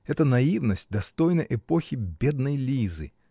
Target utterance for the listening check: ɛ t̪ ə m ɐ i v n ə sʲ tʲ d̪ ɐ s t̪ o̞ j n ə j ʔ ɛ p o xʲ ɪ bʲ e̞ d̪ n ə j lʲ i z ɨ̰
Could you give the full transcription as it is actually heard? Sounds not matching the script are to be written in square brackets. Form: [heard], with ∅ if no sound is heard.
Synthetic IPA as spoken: ɛ t̪ ə [n] ɐ i v n ə sʲ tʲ d̪ ɐ s t̪ o̞ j n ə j ʔ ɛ p o xʲ ɪ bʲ e̞ d̪ n ə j lʲ i z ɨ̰